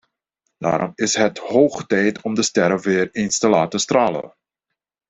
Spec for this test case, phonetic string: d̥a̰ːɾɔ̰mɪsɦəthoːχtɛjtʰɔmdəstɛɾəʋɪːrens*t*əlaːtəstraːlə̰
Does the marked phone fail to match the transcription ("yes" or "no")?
no